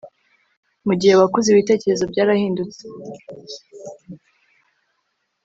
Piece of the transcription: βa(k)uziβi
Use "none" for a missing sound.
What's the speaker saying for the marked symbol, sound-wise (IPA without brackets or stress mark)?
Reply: k